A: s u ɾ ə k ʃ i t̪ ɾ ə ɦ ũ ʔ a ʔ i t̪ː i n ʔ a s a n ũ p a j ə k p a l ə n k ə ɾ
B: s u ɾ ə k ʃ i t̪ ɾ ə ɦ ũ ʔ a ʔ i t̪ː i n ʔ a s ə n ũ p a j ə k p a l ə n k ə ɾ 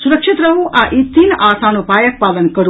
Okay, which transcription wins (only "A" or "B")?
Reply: A